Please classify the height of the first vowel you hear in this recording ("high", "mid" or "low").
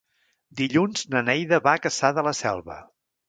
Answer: high